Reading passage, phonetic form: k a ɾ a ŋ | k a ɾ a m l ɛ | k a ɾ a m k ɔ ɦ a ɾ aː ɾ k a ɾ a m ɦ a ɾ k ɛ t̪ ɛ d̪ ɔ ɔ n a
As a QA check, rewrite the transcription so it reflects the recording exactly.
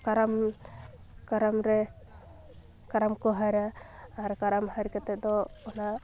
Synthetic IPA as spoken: k a ɾ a m | k a ɾ a m ɾ ɛ | k a ɾ a m k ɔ ɦ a ɾ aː ɾ k a ɾ a m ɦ a ɾ k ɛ t̪ ɛ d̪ ɔ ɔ n a

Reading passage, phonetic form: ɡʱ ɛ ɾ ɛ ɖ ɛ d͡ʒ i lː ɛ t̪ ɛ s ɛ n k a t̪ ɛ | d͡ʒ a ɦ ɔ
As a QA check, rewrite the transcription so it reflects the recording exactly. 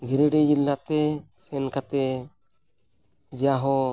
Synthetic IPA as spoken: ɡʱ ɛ ɾ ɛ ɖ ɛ d͡ʒ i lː a t̪ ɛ s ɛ n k a t̪ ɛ | d͡ʒ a ɦ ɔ

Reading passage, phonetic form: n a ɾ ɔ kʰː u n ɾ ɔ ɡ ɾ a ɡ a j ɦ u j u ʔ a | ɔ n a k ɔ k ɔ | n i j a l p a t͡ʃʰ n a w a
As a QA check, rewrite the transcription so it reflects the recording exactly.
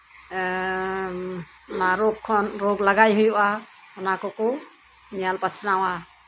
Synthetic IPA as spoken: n a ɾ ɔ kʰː ɔ n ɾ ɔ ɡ l a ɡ a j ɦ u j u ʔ a | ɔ n a k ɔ k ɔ | n i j a l p a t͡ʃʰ n a w a

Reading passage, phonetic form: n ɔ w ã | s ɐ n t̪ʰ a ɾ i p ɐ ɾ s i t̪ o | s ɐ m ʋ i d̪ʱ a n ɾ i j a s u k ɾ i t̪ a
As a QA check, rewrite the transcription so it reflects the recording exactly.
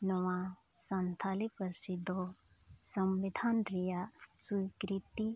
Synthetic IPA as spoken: n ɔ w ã | s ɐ n t̪ʰ a l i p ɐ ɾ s i d̪ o | s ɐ m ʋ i d̪ʱ a n ɾ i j a s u k ɾ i t̪ i

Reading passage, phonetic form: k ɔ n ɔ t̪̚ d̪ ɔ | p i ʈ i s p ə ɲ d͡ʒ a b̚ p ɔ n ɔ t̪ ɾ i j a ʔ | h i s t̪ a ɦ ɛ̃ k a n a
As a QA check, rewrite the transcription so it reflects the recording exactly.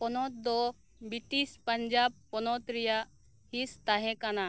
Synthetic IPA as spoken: p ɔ n ɔ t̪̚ d̪ ɔ | b i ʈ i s p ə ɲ d͡ʒ a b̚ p ɔ n ɔ t̪ ɾ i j a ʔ | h i s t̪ a ɦ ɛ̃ k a n a

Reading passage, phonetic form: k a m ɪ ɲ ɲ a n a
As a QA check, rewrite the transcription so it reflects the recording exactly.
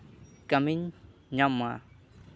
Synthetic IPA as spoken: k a m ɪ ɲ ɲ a m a

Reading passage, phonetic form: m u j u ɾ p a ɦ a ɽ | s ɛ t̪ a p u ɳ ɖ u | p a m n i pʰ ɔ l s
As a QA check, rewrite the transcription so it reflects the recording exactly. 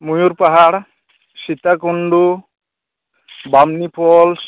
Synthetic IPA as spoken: m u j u ɾ p a ɦ a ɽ | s i t̪ a k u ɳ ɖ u | b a m n i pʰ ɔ l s

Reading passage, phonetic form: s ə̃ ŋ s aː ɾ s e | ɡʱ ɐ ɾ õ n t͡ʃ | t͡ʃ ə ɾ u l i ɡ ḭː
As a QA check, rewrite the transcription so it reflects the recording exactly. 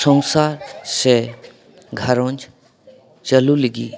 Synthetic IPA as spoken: s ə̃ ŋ s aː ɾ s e | ɡʱ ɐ ɾ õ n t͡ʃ | t͡ʃ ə l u l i ɡ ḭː

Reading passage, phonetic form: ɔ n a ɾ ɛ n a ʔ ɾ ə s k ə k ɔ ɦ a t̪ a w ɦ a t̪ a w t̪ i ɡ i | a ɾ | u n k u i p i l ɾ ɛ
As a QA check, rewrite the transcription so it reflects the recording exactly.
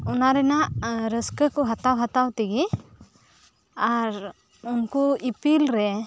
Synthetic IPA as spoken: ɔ n a ɾ ɛ n a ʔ ɾ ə s k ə k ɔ ɦ a t̪ a w ɦ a t̪ a w t̪ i ɡ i | a ɾ | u n k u i p i l ɾ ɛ

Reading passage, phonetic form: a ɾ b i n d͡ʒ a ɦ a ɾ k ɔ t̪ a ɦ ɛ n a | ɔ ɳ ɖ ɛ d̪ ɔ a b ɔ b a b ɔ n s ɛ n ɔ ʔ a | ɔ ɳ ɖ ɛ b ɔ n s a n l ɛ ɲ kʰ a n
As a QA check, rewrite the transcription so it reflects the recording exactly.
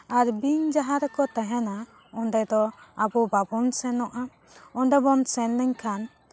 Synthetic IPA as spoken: a ɾ b i ɲ d͡ʒ a ɦ a ɾ k ɔ t̪ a ɦ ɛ n a | ɔ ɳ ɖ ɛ d̪ ɔ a b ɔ b a b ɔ n s ɛ n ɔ ʔ a | ɔ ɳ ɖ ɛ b ɔ n s ɛ n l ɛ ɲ kʰ a n

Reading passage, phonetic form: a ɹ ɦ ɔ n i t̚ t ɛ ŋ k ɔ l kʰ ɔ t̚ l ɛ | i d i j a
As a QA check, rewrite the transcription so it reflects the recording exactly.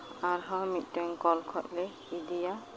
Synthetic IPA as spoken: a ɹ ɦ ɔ m i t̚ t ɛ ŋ k ɔ l kʰ ɔ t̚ l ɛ | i d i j a

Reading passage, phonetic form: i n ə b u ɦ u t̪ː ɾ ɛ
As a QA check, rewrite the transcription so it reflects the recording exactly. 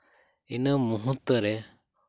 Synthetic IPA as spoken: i n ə m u ɦ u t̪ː ɾ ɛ

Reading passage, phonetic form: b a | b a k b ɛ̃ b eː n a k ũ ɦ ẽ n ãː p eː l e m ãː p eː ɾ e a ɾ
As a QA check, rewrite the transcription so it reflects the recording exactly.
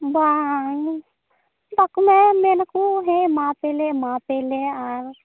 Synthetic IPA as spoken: b a | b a k m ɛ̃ m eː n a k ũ ɦ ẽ m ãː p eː l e m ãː p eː l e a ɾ

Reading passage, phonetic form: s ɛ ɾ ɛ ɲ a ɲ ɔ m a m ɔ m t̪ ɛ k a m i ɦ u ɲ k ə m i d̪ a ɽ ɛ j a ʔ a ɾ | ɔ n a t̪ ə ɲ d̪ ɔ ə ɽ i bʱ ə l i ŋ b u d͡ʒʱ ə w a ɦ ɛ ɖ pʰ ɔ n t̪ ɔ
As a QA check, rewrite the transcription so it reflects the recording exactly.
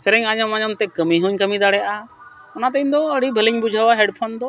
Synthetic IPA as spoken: s ɛ ɾ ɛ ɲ a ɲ ɔ m a ɲ ɔ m t̪ ɛ k ə m i ɦ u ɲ k ə m i d̪ a ɽ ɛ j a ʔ a | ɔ n a t̪ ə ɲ d̪ ɔ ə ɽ i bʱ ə l i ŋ b u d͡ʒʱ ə w a ɦ ɛ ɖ pʰ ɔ n d̪ ɔ

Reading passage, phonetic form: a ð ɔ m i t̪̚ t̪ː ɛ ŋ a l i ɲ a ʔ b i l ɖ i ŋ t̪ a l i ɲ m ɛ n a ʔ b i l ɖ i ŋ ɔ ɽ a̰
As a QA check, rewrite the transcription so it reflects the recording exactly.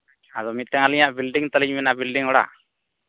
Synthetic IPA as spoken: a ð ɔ m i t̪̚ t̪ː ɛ ŋ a l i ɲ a ʔ b i l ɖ i ŋ t̪ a l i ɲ m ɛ n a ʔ b i l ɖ i ŋ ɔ ɽ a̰

